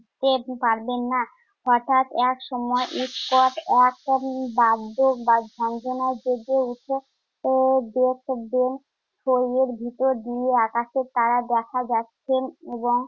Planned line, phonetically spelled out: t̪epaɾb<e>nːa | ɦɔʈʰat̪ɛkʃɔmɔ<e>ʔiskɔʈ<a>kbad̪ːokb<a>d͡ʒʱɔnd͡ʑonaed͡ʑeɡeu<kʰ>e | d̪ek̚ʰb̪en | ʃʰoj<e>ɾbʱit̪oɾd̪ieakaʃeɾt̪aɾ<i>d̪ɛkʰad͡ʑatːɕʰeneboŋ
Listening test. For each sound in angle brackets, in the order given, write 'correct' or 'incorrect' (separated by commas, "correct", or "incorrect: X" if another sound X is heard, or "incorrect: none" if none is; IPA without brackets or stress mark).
correct, correct, incorrect: ɛ, correct, incorrect: ʈʰ, correct, incorrect: a